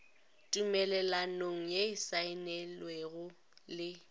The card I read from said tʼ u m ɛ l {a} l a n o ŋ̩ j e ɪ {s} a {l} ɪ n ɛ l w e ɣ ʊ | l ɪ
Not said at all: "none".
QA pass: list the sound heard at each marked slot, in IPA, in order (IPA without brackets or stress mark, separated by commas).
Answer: ɛ, s, none